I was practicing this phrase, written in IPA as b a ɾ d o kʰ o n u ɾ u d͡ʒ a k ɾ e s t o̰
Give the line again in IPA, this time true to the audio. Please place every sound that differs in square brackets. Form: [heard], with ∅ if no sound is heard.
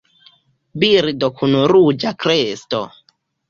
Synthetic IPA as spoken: b [i] ɾ d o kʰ [u] n u ɾ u d͡ʒ a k ɾ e s t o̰